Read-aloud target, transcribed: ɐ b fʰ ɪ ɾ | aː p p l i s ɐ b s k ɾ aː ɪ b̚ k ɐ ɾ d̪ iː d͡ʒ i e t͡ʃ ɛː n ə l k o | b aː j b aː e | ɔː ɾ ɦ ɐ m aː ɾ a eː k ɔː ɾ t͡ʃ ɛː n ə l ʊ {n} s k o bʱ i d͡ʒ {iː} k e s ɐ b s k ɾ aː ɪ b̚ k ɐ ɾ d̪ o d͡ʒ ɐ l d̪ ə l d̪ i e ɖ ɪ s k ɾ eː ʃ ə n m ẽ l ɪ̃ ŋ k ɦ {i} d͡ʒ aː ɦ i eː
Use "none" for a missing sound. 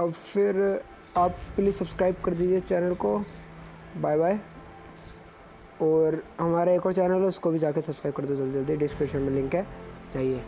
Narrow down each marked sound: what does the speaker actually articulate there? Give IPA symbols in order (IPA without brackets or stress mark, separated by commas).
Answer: none, aː, ɛ